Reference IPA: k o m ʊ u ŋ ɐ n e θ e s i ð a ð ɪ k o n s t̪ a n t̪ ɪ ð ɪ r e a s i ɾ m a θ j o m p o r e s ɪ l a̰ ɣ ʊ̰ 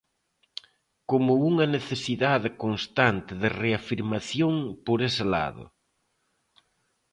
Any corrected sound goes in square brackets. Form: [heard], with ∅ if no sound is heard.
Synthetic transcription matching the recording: k o m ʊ u ŋ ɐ n e θ e s i ð a ð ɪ k o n s t̪ a n t̪ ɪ ð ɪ r e a [f] i ɾ m a θ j o [ŋ] p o [ɾ] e s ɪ l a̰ [ð] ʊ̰